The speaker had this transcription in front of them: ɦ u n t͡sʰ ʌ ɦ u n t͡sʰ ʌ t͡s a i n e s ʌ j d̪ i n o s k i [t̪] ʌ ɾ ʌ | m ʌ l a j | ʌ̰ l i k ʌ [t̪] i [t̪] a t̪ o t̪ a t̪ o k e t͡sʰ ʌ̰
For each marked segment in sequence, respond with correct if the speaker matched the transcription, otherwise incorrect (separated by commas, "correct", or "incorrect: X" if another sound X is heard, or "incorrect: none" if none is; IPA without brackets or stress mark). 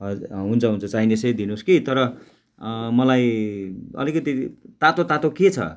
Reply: correct, correct, correct